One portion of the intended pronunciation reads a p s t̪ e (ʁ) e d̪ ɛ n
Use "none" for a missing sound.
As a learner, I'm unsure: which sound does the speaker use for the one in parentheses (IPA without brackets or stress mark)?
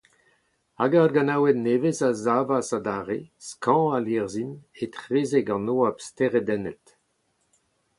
ʁ